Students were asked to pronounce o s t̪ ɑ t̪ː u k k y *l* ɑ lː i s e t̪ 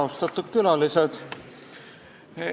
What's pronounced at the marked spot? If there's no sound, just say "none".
l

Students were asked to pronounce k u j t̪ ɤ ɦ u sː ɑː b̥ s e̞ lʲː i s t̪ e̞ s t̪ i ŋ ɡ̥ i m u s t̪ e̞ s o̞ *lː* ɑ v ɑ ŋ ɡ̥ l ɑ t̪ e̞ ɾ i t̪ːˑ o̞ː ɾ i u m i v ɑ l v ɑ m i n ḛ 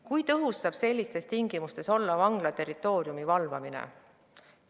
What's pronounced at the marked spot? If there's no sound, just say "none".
lː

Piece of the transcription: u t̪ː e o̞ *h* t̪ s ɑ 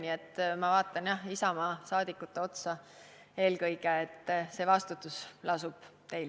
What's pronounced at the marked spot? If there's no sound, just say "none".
none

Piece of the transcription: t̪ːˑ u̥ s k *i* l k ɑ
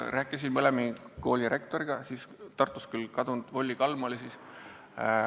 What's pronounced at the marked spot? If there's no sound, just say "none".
y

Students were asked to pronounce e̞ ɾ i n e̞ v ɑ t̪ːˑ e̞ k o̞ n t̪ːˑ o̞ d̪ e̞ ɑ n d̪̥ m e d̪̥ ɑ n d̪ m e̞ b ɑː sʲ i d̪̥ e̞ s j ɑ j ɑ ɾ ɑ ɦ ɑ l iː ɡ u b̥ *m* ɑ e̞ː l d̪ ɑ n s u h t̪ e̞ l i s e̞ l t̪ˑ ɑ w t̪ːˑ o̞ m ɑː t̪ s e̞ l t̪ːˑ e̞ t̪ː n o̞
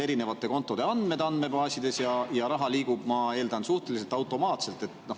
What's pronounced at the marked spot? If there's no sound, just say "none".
m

